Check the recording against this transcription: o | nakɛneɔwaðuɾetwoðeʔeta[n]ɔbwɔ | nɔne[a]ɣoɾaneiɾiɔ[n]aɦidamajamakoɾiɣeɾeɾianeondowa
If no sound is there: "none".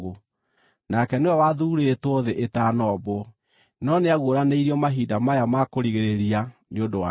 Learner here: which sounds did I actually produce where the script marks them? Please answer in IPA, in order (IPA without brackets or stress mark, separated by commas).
n, a, m